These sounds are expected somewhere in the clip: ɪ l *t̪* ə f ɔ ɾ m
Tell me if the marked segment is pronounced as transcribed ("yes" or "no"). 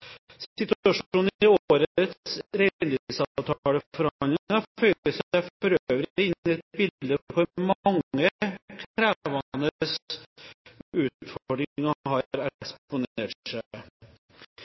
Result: no